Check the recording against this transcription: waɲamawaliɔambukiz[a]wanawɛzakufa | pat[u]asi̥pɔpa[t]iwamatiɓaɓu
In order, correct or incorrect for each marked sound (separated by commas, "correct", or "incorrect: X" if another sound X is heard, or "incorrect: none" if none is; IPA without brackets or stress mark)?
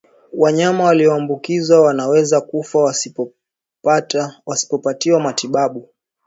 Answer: correct, incorrect: w, correct